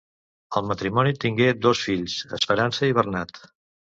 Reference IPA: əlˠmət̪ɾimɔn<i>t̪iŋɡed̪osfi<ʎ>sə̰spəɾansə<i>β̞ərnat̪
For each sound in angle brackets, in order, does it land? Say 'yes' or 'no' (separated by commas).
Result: yes, yes, yes